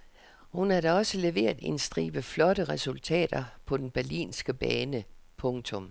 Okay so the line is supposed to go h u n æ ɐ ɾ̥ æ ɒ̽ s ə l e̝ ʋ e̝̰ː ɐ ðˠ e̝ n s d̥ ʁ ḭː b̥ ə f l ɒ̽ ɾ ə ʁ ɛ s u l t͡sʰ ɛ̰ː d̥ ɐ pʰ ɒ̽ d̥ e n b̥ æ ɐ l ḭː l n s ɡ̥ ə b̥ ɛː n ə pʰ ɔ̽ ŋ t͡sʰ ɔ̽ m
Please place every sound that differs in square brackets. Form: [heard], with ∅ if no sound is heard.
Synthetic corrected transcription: h u n æ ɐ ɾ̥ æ ɒ̽ s ə l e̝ ʋ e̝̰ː ɐ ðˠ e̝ n s d̥ ʁ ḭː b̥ ə f l ɒ̽ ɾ ə ʁ ɛ s u l t͡sʰ ɛ̰ː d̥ ɐ pʰ ɒ̽ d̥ e n b̥ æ ɐ l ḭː [∅] n s ɡ̥ ə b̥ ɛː n ə pʰ ɔ̽ ŋ t͡sʰ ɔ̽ m